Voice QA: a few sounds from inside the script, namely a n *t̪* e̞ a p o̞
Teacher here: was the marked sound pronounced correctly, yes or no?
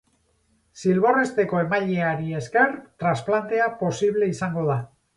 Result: yes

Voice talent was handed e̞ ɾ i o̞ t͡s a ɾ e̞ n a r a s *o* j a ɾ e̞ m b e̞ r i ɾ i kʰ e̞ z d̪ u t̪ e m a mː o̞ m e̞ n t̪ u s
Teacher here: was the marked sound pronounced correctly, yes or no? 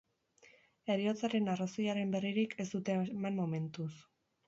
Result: yes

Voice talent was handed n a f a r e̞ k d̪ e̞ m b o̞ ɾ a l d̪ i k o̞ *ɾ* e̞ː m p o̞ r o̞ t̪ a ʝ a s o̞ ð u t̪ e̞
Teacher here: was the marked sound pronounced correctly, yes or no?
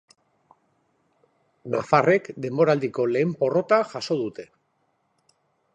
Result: no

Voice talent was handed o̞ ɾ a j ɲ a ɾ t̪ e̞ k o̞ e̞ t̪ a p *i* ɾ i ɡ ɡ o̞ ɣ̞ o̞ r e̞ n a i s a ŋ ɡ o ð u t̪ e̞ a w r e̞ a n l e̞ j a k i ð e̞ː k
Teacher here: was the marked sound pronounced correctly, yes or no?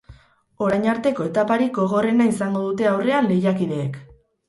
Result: no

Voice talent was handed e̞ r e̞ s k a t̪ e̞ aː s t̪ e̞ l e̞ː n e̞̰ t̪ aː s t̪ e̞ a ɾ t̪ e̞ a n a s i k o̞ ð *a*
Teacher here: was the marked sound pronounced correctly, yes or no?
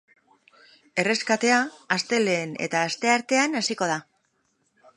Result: yes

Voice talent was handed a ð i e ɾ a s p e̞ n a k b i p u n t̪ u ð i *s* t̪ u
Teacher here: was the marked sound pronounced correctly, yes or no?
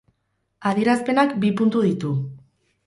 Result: no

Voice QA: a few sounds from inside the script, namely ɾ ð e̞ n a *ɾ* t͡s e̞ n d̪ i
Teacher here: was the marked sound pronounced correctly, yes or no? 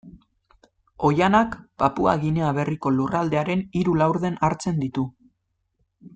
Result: yes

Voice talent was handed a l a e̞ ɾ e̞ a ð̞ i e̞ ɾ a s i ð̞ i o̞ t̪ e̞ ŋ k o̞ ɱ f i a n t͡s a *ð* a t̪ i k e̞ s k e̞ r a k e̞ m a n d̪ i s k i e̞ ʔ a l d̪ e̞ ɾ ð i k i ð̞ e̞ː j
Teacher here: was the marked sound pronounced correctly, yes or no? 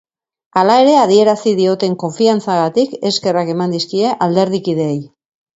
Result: no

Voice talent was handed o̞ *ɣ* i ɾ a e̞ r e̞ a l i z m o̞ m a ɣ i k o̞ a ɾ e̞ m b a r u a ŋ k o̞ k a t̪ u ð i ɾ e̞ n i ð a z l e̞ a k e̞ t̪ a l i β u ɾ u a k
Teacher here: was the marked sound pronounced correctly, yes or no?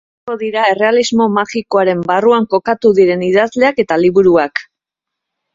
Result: no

